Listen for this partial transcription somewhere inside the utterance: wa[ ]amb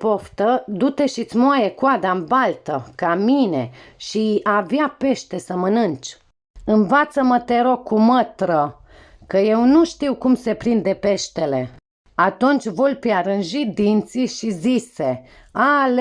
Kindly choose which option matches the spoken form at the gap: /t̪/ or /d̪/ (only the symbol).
d̪